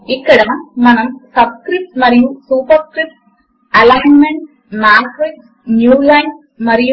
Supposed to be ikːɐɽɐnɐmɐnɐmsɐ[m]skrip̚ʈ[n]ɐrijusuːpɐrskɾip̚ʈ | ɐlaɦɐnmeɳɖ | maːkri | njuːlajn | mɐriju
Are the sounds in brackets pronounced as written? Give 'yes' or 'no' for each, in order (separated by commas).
no, no